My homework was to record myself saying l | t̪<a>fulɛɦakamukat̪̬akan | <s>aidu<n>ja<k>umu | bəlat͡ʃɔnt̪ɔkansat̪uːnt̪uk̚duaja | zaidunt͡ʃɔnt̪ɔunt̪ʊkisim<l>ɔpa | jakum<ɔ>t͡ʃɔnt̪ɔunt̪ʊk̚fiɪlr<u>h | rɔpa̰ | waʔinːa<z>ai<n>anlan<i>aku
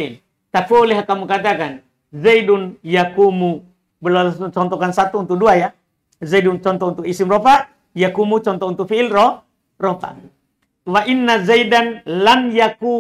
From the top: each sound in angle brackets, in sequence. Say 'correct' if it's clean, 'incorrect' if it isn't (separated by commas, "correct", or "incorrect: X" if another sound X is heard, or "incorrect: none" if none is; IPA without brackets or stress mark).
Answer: correct, incorrect: z, correct, correct, incorrect: r, incorrect: u, incorrect: ɔ, correct, incorrect: d, incorrect: j